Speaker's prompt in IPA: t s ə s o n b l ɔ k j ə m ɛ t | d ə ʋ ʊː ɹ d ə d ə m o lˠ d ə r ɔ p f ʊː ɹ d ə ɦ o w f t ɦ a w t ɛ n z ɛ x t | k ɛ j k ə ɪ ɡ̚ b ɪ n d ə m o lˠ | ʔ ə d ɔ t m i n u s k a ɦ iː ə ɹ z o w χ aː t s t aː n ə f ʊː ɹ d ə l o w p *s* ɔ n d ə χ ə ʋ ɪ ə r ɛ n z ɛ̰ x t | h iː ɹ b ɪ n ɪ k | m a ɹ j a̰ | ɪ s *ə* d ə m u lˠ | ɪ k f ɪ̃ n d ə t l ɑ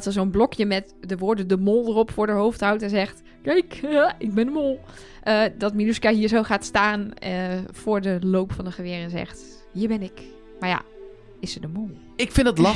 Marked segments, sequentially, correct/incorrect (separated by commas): incorrect, correct